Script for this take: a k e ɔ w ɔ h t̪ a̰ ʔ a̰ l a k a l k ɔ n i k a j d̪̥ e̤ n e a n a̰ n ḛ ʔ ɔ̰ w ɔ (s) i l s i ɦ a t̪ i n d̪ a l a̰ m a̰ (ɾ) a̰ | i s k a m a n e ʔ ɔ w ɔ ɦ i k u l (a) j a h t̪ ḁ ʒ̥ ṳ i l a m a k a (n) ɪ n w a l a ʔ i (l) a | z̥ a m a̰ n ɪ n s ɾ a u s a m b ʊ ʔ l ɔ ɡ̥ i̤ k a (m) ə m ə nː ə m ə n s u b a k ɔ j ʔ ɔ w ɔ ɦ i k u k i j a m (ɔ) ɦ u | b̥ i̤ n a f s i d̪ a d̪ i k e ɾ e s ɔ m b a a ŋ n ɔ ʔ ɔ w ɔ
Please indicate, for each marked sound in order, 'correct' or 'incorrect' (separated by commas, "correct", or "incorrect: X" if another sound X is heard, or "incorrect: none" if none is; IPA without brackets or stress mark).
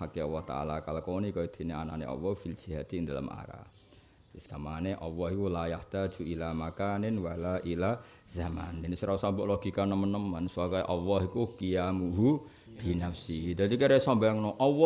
incorrect: f, correct, correct, correct, correct, incorrect: n, incorrect: u